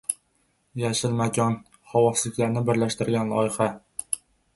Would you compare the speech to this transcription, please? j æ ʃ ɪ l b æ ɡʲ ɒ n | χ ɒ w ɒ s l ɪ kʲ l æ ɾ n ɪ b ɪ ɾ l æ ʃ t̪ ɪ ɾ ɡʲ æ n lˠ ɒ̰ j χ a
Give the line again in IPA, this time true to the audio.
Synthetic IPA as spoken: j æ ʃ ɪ l m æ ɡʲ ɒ n | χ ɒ w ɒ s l ɪ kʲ l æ ɾ n ɪ b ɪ ɾ l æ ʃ t̪ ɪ ɾ ɡʲ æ n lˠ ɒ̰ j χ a